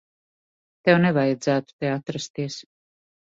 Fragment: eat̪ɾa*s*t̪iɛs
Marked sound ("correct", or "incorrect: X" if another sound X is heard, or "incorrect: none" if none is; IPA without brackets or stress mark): correct